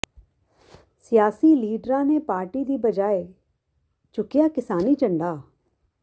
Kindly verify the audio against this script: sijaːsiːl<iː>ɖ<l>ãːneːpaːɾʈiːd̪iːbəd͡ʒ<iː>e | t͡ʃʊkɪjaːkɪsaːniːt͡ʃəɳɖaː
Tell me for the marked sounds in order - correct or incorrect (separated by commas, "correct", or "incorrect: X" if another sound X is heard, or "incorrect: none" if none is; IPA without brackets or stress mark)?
correct, incorrect: ɾ, incorrect: aː